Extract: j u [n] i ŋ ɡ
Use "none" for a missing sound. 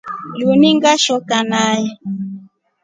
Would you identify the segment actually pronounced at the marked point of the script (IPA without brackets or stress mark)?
n